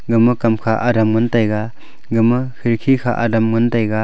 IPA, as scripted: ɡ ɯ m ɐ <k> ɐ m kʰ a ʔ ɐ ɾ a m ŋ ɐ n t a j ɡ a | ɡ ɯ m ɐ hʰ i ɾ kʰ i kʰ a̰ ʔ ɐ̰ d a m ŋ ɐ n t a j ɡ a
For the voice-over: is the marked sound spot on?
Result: yes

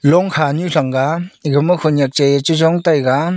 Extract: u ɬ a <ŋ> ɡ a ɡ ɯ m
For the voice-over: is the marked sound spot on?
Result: yes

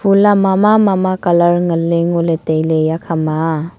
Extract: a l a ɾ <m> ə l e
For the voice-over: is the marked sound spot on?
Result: no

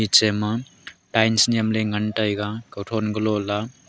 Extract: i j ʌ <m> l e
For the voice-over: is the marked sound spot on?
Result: yes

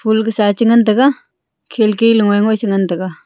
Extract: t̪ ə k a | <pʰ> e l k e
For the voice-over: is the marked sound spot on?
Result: no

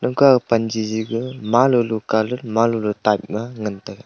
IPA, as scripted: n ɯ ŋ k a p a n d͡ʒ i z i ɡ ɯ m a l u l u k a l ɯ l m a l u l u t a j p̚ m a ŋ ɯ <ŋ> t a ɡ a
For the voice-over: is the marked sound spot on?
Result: no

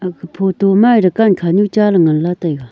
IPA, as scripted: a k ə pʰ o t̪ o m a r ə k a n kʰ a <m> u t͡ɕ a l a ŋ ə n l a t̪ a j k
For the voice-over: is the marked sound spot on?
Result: no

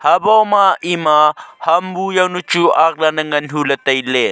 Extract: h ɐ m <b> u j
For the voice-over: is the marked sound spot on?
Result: yes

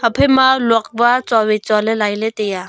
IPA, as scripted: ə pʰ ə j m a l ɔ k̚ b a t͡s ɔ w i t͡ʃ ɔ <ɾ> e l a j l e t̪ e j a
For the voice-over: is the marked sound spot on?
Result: no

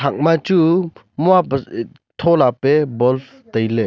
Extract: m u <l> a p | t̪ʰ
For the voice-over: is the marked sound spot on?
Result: no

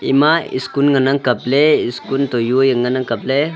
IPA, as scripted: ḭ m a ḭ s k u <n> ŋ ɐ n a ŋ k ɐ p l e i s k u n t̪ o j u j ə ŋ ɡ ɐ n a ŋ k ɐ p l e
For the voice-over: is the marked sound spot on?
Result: yes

